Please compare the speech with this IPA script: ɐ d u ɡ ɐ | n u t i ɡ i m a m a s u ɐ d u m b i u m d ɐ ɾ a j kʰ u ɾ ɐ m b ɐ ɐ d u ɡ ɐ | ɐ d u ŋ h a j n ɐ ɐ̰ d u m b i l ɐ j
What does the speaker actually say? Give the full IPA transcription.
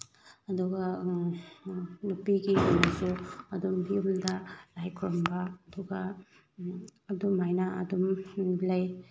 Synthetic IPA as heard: ɐ d u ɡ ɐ | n u p i ɡ i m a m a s u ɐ d u m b i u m d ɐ l a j kʰ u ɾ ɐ m b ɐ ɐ d u ɡ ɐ | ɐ d u m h a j n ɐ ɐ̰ d u m b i l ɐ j